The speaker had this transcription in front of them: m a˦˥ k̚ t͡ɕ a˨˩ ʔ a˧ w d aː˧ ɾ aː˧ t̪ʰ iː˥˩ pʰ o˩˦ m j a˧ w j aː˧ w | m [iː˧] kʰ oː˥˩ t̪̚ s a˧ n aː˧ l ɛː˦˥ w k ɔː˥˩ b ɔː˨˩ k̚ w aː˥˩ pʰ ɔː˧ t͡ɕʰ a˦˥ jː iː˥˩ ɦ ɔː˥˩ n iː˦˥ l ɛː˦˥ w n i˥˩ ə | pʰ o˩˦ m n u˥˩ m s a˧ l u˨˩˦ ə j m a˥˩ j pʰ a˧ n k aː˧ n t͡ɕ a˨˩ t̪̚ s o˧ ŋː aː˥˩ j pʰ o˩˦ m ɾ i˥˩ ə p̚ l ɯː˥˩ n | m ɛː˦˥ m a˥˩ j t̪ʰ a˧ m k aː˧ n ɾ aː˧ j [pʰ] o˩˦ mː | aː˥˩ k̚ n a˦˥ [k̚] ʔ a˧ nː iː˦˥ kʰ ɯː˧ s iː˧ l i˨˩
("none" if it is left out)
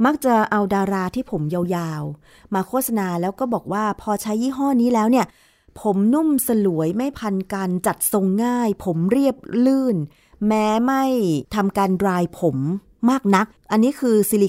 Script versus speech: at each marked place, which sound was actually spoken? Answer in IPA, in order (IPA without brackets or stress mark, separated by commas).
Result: aː˧, pʰ, k̚